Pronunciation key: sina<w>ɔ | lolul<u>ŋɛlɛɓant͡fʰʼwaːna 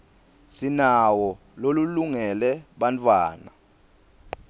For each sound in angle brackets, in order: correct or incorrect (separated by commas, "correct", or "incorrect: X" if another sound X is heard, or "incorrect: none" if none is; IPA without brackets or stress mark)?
correct, correct